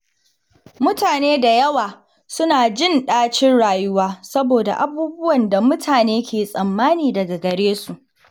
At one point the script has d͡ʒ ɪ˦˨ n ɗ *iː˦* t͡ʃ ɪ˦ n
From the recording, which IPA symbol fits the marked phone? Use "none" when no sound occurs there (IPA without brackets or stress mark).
aː˦